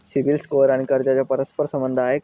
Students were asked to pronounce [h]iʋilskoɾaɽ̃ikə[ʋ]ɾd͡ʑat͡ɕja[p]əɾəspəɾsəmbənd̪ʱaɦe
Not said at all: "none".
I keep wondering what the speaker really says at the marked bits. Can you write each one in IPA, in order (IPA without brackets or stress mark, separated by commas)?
s, none, p